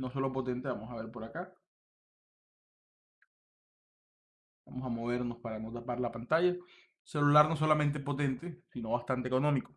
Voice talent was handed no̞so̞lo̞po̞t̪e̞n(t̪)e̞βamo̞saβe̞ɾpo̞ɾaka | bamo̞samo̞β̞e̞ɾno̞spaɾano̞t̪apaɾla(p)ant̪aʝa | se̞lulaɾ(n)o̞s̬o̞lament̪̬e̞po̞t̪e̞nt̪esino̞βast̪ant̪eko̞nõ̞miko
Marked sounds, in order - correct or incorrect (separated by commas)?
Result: correct, correct, correct